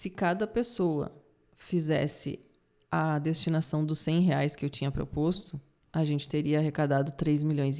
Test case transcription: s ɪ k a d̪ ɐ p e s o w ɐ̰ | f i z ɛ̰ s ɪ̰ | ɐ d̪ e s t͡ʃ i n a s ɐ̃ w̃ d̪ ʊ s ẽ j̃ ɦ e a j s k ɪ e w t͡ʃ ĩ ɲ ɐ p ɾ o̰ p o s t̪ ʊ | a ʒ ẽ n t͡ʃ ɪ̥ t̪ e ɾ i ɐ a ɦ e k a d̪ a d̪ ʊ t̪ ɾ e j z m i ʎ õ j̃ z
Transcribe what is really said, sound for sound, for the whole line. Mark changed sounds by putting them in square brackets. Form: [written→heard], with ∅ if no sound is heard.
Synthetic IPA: s ɪ k a d̪ ɐ p e s o w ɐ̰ | f i z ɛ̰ s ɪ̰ | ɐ d̪ e s t͡ʃ i n a s ɐ̃ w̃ d̪ ʊ s ẽ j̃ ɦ e a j s k ɪ e w t͡ʃ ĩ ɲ ɐ p ɾ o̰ p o s t̪ ʊ | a ʒ ẽ n t͡ʃ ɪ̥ t̪ e ɾ i ɐ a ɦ e k a d̪ a d̪ ʊ t̪ ɾ e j z m i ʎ õ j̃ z